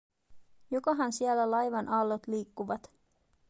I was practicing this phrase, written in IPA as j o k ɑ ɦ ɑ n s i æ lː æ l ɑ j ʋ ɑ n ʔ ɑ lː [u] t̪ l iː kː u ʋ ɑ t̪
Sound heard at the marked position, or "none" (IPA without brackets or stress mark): o